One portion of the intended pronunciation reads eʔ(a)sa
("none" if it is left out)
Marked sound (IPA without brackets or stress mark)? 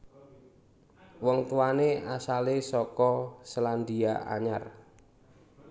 a